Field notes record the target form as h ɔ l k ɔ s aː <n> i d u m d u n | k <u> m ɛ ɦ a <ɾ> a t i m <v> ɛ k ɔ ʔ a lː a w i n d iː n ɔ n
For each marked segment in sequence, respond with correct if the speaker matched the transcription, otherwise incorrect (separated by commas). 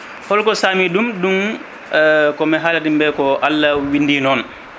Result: incorrect, incorrect, incorrect, incorrect